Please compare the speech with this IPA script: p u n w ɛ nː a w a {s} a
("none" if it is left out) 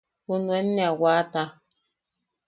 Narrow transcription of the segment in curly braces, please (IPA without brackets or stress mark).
t